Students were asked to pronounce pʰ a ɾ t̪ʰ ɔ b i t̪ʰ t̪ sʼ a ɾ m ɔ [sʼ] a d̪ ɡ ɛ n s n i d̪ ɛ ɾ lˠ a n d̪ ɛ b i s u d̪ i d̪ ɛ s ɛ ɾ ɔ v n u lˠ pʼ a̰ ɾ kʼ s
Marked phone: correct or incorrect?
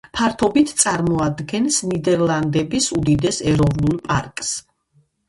incorrect